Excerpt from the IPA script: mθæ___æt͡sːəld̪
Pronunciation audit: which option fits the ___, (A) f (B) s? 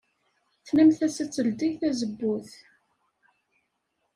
B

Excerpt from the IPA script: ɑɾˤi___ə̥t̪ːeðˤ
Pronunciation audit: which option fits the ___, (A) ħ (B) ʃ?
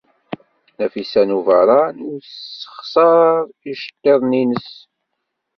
B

